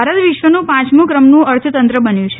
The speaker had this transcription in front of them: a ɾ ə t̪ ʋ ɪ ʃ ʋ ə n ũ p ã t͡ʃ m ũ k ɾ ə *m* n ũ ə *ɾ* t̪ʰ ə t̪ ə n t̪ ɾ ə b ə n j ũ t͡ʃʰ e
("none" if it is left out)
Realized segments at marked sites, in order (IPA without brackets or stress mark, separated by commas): m, ɾ